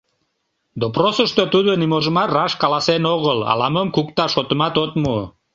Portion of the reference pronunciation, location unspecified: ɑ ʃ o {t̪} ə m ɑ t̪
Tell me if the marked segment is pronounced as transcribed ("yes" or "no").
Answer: yes